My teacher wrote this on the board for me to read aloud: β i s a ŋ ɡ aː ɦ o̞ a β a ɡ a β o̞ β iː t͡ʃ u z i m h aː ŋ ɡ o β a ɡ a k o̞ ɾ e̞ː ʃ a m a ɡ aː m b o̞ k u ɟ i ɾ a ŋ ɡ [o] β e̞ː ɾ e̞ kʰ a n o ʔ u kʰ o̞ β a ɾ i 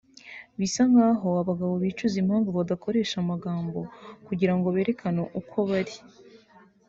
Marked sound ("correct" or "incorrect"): correct